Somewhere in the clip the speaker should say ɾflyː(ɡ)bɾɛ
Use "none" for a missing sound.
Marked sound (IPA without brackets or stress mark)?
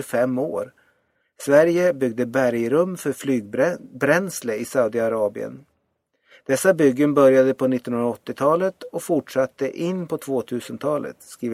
ɡ